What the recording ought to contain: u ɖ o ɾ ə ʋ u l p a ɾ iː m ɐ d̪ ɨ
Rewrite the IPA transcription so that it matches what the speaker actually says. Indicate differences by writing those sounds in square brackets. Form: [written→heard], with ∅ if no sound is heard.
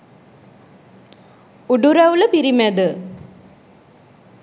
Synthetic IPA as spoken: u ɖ [o→u] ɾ [ə→ɐ] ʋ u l p [a→i] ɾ [iː→i] m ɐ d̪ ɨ

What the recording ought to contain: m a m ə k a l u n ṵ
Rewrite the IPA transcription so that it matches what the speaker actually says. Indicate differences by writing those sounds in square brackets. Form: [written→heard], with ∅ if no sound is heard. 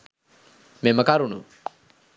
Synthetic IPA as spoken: m [a→e] m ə k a [l→ɾ] u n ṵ

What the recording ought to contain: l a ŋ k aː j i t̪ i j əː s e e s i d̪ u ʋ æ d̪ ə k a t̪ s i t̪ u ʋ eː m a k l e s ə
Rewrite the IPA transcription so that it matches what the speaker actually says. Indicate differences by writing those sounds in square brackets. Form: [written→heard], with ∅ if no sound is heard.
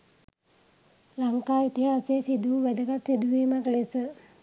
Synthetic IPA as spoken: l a ŋ k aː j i t̪ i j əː s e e s i d̪ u ʋ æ d̪ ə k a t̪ s i [t̪→d̪] u ʋ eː m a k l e s ə

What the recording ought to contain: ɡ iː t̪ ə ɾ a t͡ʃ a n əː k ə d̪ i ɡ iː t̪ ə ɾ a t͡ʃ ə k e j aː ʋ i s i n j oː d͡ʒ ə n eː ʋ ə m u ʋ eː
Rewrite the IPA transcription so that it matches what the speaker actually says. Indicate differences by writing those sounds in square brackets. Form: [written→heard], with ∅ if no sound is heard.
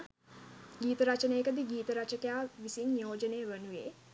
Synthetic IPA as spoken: ɡ iː t̪ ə ɾ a t͡ʃ [a→ə] n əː k ə d̪ i ɡ iː t̪ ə ɾ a t͡ʃ ə k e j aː ʋ i s i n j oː d͡ʒ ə n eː ʋ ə [m→n] u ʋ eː

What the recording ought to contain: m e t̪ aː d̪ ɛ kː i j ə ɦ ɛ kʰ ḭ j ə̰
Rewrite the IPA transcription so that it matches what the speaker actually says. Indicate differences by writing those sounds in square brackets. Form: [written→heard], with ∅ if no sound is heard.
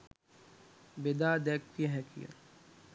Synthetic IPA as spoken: [m→b] e [t̪→d̪] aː d̪ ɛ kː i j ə ɦ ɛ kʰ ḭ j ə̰

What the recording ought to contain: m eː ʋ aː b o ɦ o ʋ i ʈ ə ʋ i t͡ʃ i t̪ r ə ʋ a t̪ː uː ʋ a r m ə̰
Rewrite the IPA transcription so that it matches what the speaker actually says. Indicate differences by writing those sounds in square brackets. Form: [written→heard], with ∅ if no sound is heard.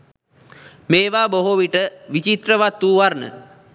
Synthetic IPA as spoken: m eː ʋ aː b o ɦ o ʋ i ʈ ə ʋ i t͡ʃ i t̪ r ə ʋ a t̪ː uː ʋ a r [m→n] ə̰

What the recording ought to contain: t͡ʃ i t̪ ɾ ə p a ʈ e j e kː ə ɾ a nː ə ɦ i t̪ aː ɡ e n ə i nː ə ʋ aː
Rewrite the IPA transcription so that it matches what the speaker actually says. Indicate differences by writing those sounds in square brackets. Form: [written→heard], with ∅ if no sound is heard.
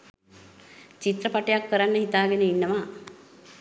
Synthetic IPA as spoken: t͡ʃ i t̪ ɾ ə p a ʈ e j [e→a] kː ə ɾ a nː ə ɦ i t̪ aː ɡ e n ə i nː ə ʋ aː

